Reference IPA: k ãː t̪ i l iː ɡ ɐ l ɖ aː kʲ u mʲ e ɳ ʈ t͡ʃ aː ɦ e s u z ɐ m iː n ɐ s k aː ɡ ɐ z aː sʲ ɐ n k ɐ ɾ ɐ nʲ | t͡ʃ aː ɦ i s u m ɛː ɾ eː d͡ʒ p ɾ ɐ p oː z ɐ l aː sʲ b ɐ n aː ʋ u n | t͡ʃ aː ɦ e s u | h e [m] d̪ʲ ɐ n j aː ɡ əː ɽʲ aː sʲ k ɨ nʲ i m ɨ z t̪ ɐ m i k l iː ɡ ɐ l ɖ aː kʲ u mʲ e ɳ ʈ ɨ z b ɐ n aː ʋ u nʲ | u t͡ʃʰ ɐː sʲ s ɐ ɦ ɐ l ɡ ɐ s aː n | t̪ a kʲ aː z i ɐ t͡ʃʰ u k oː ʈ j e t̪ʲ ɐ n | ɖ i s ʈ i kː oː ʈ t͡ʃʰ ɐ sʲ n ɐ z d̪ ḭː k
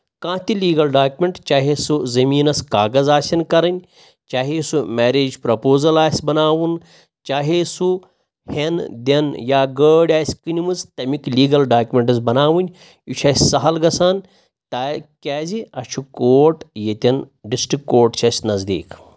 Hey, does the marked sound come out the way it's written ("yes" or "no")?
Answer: no